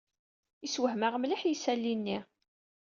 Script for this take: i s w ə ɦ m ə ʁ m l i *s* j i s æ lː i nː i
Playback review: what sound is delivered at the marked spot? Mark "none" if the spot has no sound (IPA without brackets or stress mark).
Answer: ħ